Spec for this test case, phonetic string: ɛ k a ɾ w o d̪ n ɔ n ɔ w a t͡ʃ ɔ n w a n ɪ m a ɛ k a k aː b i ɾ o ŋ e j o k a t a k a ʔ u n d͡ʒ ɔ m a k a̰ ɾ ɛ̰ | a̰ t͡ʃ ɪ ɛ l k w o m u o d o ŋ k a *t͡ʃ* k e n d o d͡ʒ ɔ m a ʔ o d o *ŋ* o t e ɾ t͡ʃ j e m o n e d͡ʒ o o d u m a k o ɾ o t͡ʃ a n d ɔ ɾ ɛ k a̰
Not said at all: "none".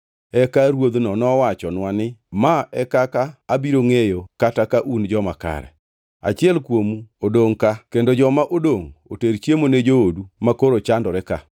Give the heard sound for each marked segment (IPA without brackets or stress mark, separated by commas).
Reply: none, ŋ